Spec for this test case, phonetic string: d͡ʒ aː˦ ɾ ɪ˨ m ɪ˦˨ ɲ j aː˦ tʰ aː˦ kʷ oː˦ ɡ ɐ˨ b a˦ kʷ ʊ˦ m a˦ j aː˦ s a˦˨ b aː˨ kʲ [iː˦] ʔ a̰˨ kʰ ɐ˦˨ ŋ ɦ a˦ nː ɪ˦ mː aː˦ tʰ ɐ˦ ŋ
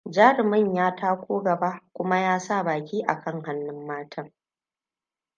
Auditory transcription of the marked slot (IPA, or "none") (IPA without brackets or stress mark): iː˦